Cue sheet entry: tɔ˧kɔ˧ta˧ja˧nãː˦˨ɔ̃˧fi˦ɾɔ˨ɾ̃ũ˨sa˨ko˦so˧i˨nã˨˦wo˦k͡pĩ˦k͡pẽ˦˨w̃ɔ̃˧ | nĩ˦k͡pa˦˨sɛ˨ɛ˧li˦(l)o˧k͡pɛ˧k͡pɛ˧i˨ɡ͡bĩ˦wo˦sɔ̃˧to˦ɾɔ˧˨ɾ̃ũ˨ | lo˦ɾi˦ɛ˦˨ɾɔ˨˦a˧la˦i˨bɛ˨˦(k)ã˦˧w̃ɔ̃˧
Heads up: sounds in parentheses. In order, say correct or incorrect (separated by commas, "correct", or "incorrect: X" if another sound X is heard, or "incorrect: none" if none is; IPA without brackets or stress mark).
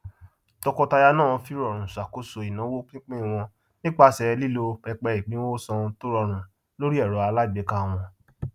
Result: correct, correct